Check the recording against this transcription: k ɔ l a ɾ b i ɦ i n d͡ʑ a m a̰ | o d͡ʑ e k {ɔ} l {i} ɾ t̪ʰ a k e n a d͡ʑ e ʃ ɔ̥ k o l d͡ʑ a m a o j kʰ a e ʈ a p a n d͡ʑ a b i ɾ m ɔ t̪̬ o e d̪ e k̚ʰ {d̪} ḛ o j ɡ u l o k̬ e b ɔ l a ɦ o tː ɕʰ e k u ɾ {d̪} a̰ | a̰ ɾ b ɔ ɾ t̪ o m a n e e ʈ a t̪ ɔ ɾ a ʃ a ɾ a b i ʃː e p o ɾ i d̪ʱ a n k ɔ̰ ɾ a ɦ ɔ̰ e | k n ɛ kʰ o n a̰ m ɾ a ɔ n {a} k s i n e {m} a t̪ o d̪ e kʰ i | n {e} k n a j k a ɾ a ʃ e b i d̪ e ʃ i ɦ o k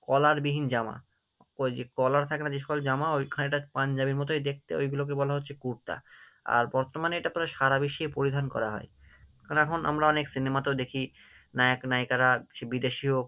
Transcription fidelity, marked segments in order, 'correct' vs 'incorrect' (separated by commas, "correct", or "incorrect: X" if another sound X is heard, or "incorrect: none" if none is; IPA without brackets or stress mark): correct, incorrect: a, incorrect: t̪, incorrect: t̪, incorrect: e, correct, incorrect: a